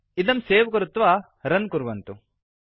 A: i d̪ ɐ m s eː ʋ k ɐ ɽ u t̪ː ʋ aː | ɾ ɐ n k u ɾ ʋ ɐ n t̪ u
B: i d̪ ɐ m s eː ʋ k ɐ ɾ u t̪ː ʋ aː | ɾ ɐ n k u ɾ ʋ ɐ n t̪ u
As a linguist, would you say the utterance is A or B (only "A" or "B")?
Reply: B